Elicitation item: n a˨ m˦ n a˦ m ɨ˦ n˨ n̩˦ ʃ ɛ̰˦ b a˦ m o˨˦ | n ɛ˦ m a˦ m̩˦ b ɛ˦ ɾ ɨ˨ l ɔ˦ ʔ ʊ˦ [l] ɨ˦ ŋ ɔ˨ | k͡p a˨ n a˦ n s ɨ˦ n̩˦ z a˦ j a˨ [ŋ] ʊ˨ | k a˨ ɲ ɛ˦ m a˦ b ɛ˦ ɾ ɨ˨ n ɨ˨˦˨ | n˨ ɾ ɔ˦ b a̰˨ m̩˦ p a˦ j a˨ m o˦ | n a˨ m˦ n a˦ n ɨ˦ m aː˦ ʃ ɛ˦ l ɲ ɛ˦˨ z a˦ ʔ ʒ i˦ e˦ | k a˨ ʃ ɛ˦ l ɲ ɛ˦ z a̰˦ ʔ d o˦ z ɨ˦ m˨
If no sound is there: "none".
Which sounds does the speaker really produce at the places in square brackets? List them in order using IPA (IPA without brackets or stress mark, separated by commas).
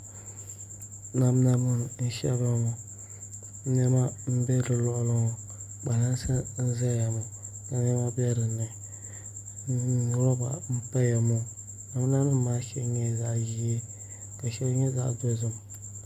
l, m